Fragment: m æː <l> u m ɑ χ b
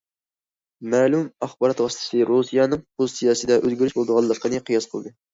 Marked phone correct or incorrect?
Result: correct